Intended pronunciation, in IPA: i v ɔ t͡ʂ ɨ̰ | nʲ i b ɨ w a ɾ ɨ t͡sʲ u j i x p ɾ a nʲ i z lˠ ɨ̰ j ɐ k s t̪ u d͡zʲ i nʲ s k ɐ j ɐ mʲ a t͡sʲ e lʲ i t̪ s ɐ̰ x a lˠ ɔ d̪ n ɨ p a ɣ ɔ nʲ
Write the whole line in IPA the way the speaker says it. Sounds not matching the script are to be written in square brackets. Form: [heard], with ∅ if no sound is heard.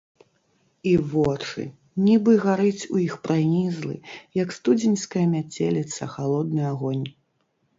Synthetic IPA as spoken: i v ɔ t͡ʂ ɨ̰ | nʲ i b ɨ [ɣ] a ɾ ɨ t͡sʲ u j i x p ɾ a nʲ i z lˠ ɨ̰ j ɐ k s t̪ u d͡zʲ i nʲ s k ɐ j ɐ mʲ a t͡sʲ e lʲ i t̪ s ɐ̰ x a lˠ ɔ d̪ n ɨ [∅] a ɣ ɔ nʲ

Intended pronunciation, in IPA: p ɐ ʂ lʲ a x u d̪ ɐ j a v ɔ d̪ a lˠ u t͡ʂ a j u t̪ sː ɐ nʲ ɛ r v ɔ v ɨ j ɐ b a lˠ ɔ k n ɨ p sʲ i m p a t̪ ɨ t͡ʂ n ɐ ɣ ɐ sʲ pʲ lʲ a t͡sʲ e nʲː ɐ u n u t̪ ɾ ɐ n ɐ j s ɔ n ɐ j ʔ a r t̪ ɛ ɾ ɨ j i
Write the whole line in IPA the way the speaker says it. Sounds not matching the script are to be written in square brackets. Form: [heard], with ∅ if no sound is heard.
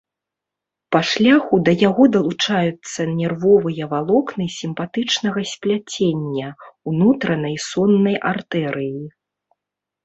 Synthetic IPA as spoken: p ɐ ʂ lʲ a x u d̪ ɐ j a [ɣ] ɔ d̪ [ɐ] lˠ u t͡ʂ a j u t̪ sː ɐ nʲ ɛ r v ɔ v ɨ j ɐ [v] a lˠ ɔ k n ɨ [∅] sʲ i m p a t̪ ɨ t͡ʂ n ɐ ɣ ɐ sʲ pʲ lʲ a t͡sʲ e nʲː ɐ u n u t̪ ɾ ɐ n ɐ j s ɔ [nː] ɐ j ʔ a r t̪ ɛ ɾ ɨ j i

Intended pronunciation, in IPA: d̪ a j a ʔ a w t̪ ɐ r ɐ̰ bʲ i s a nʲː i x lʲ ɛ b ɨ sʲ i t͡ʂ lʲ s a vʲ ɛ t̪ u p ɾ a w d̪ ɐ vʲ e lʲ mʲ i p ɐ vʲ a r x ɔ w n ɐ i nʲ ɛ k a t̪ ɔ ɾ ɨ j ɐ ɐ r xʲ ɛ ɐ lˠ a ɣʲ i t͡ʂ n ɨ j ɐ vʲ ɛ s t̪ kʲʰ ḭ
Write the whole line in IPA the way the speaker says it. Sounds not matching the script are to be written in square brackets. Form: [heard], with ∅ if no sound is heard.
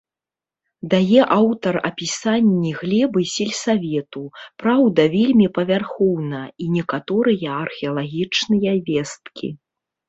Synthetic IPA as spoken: d̪ a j [ɛ] ʔ a w t̪ ɐ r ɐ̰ [pʲ] i s a nʲː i [ɣ] lʲ ɛ b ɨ sʲ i [∅] lʲ s a vʲ ɛ t̪ u p ɾ a w d̪ ɐ vʲ e lʲ mʲ i p ɐ vʲ a r x ɔ w n ɐ i nʲ ɛ k a t̪ ɔ ɾ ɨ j ɐ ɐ r xʲ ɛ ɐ lˠ a ɣʲ i t͡ʂ n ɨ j ɐ vʲ ɛ s t̪ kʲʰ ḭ

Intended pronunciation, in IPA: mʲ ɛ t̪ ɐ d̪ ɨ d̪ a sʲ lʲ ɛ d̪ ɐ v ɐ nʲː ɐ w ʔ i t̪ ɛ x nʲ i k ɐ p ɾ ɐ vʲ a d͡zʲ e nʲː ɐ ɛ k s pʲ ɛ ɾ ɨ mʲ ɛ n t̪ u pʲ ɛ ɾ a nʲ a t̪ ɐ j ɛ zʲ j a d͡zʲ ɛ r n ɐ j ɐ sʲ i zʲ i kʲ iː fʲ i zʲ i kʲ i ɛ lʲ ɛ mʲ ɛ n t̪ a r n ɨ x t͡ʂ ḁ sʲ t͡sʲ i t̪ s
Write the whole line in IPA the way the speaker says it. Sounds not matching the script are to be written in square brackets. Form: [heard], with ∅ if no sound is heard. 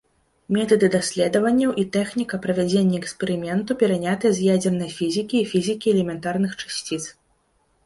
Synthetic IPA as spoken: mʲ ɛ t̪ ɐ d̪ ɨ d̪ a sʲ lʲ ɛ d̪ ɐ v ɐ nʲː ɐ w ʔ i t̪ ɛ x nʲ i k ɐ p ɾ ɐ vʲ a d͡zʲ e nʲː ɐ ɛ k s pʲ ɛ ɾ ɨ mʲ ɛ n t̪ u pʲ ɛ ɾ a nʲ a t̪ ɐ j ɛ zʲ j a d͡zʲ ɛ r n ɐ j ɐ [fʲ] i zʲ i kʲ iː fʲ i zʲ i kʲ i ɛ lʲ ɛ mʲ ɛ n t̪ a r n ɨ x t͡ʂ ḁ sʲ t͡sʲ i t̪ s

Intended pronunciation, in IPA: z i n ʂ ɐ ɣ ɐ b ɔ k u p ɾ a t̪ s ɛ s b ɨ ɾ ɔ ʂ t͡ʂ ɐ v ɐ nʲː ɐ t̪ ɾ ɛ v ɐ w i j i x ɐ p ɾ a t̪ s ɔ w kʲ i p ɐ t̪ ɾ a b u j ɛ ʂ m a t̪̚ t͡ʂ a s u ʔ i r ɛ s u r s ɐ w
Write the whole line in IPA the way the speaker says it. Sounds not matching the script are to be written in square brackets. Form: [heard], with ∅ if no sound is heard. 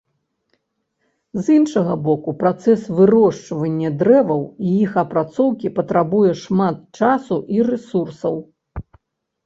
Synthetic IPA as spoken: z i n ʂ ɐ ɣ ɐ b ɔ k u p ɾ a t̪ s ɛ s [v] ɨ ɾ ɔ ʂ t͡ʂ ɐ v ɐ nʲː ɐ [d̪] ɾ ɛ v ɐ w i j i x ɐ p ɾ a t̪ s ɔ w kʲ i p ɐ t̪ ɾ a b u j ɛ ʂ m a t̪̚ t͡ʂ a s u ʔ i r ɛ s u r s ɐ w

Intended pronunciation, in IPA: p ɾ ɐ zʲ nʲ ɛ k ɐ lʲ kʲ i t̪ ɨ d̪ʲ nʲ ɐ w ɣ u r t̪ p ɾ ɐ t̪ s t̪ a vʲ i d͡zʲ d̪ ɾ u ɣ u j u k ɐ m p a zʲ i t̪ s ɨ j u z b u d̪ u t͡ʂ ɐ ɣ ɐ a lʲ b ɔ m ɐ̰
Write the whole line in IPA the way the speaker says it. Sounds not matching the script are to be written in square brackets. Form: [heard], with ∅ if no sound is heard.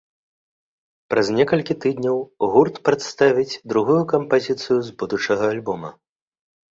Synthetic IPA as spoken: p ɾ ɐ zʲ nʲ ɛ k ɐ lʲ kʲ i t̪ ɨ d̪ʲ nʲ ɐ w ɣ u r t̪ p ɾ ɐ t̪ s t̪ a vʲ i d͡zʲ d̪ ɾ u ɣ u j u k ɐ m p a zʲ i t̪ s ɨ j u z b u d̪ u t͡ʂ ɐ ɣ ɐ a lʲ b ɔ m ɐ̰

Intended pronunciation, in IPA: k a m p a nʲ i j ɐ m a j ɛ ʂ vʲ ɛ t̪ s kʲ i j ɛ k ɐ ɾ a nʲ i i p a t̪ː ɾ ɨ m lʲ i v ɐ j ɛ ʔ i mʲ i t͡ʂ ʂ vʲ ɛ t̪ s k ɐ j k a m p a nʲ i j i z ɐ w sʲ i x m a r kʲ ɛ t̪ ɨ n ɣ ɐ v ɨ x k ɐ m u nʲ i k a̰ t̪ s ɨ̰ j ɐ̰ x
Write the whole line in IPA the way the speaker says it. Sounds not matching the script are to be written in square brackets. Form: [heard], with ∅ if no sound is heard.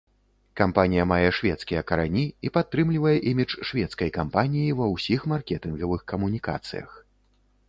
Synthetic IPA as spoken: k a m p a nʲ i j ɐ m a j ɛ ʂ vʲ ɛ t̪ s kʲ i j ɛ k ɐ ɾ a nʲ i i p a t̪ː ɾ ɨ m lʲ i v ɐ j ɛ ʔ i mʲ i t͡ʂ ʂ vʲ ɛ t̪ s k ɐ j k a m p a nʲ i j i [v] ɐ w sʲ i x m a r kʲ ɛ t̪ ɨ n ɣ ɐ v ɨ x k ɐ m u nʲ i k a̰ t̪ s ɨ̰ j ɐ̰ x

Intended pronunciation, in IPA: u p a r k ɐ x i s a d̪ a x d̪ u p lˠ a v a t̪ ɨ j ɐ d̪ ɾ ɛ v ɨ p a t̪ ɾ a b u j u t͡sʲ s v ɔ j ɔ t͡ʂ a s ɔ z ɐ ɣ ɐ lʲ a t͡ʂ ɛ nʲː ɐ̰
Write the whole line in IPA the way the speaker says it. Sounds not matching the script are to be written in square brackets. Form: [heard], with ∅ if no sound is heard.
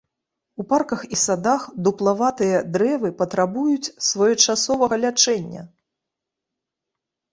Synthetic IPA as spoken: u p a r k ɐ x i s a d̪ a x d̪ u p lˠ a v a t̪ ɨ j ɐ d̪ ɾ ɛ v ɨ p [ɐ] t̪ ɾ a b u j u t͡sʲ s v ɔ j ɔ t͡ʂ a s ɔ [v] ɐ ɣ ɐ lʲ a t͡ʂ ɛ nʲː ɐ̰

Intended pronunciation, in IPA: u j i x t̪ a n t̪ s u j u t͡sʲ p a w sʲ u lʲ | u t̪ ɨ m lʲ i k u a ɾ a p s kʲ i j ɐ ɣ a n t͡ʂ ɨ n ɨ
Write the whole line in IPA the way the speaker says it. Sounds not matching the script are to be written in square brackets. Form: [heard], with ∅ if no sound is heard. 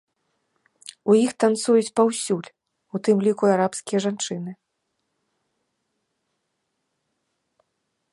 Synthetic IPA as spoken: u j i x t̪ a n t̪ s u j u t͡sʲ p a w sʲ u lʲ | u t̪ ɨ m lʲ i k u a ɾ a p s kʲ i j ɐ [ʐ] a n t͡ʂ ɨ n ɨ

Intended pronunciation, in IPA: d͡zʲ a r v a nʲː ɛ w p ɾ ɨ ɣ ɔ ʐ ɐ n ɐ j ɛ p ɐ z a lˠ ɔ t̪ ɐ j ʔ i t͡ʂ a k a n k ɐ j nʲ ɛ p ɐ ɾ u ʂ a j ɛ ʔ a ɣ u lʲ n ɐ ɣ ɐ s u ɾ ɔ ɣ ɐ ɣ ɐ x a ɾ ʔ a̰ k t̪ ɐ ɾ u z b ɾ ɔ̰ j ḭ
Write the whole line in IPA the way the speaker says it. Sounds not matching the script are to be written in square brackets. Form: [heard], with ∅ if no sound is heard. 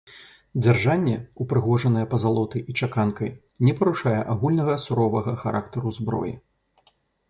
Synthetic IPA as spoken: d͡zʲ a r [ʐ] a nʲː ɛ [u] p ɾ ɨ ɣ ɔ ʐ ɐ n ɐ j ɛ p ɐ z a lˠ ɔ t̪ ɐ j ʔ i t͡ʂ a k a n k ɐ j nʲ ɛ p ɐ ɾ u ʂ a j ɛ ʔ a ɣ u lʲ n ɐ ɣ ɐ s u ɾ ɔ [v] ɐ ɣ ɐ x a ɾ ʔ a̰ k t̪ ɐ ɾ u z b ɾ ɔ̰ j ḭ

